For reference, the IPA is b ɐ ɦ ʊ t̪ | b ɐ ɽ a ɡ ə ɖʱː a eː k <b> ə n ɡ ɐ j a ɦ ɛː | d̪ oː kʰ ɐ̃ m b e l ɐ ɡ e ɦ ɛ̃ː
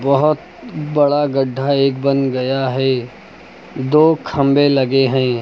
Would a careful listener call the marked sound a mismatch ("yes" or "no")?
no